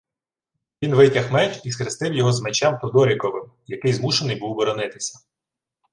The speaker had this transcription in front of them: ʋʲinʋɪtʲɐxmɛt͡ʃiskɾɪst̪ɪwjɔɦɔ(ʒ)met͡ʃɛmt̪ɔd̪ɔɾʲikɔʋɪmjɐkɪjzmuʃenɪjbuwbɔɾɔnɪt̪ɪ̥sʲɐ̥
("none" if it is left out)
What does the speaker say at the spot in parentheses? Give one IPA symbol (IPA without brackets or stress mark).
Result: z